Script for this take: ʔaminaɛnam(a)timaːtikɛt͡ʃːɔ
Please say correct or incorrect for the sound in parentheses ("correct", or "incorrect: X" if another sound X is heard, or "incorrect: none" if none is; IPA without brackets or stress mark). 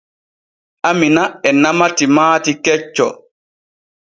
correct